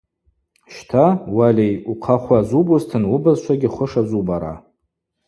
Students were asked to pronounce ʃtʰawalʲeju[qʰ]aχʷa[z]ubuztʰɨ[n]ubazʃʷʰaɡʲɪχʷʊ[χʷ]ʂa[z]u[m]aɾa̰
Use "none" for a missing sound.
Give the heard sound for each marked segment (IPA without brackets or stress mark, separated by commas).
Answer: qʰ, z, n, none, z, b